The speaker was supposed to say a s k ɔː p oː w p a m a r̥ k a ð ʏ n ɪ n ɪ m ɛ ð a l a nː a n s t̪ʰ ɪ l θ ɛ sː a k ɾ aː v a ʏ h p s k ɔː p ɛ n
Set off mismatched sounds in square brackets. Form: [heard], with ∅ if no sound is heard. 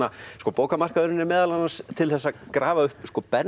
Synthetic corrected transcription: a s k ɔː p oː w [k] a m a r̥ k a ð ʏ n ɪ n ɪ m [ɛː] ð a l a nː a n s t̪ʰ ɪ l θ ɛ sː a k ɾ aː v a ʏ h p s k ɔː p ɛ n